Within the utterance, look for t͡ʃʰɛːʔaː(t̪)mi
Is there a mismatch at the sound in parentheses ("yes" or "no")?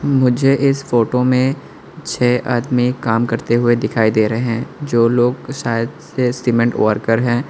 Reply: yes